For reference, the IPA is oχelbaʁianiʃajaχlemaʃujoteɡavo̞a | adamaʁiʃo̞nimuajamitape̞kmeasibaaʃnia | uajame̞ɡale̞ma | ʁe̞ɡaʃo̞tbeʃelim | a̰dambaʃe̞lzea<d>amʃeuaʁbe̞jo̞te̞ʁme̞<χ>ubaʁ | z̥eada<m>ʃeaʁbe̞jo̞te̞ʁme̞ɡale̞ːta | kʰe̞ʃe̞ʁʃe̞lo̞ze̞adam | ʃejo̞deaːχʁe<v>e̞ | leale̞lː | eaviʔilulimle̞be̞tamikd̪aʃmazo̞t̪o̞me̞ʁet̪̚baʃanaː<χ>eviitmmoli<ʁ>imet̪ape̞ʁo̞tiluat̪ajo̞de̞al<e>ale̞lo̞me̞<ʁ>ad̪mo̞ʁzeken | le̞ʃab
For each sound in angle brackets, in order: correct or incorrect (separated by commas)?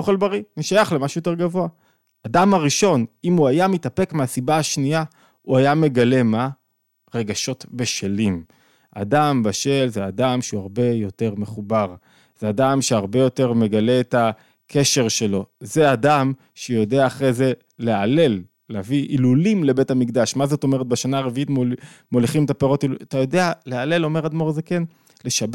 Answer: correct, correct, correct, incorrect, incorrect, incorrect, correct, correct